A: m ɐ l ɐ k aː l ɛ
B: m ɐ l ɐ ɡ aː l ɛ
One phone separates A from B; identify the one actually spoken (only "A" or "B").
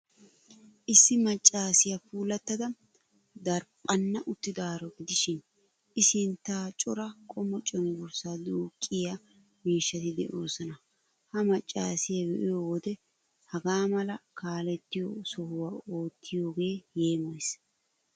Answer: A